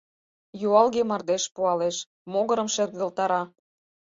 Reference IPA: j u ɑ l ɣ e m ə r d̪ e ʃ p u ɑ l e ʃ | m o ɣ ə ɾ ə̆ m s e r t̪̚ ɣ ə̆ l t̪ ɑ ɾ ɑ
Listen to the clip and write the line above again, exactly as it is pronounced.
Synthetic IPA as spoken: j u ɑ l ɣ e m ɑ r d̪ e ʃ p u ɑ l e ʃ | m o ɣ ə ɾ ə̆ m ʃ e r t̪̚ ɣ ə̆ l t̪ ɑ ɾ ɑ